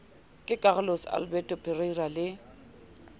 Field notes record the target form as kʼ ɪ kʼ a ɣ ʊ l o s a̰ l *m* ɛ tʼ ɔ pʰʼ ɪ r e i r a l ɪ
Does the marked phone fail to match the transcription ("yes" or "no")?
yes